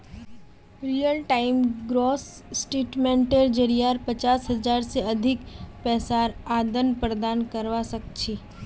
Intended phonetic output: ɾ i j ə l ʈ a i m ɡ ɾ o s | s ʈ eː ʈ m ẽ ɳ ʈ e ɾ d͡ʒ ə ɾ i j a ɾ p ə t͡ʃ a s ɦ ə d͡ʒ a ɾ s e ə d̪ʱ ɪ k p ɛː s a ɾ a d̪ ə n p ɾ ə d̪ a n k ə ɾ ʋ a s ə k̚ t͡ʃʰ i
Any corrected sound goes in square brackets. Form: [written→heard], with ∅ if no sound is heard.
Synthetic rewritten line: ɾ i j ə l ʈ a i m ɡ ɾ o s | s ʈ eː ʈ m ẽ ɳ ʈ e ɾ d͡ʒ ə ɾ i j a ɾ p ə t͡ʃ a s ɦ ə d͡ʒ a ɾ s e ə d̪ʱ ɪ k p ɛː s a ɾ a d̪ ə n p ɾ ə d̪ a n k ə ɾ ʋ a s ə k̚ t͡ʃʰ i